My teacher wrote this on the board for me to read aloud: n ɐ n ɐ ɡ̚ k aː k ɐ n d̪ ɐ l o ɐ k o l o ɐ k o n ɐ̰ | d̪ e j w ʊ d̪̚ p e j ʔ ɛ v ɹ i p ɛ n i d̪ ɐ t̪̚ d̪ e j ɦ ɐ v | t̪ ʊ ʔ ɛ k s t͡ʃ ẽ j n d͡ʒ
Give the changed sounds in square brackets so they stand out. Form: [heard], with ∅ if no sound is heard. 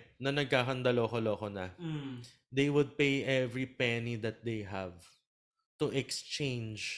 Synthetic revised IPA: n ɐ n ɐ ɡ̚ k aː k ɐ n d̪ ɐ l o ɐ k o l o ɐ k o n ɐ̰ | d̪ e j w ʊ d̪̚ p e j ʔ ɛ v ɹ i p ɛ n i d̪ ɐ t̪̚ d̪ e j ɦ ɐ v | t̪ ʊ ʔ ɛ k s t͡ʃ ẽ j n d͡ʒ